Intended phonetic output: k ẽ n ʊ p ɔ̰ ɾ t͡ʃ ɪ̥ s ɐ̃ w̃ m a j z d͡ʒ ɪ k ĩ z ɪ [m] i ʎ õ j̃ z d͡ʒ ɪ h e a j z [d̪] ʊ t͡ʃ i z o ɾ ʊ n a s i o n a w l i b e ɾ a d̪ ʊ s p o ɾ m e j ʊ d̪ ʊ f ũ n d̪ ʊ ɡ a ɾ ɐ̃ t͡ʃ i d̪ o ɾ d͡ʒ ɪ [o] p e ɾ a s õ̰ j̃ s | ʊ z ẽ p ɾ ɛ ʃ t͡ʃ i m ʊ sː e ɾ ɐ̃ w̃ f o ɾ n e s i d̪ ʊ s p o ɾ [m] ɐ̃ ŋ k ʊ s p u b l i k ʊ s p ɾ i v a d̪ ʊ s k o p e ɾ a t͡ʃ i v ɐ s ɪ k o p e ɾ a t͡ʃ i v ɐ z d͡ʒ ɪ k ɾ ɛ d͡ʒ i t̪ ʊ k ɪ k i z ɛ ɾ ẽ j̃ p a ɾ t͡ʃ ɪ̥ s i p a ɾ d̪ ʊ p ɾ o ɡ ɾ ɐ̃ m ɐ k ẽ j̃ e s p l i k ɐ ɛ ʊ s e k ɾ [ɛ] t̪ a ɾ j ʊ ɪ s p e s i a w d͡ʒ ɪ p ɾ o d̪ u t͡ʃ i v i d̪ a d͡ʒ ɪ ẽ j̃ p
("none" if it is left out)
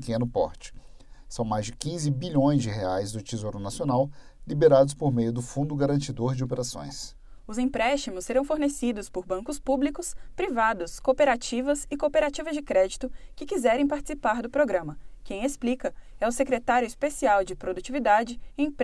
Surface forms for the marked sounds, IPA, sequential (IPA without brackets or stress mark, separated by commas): b, d̪, o, b, e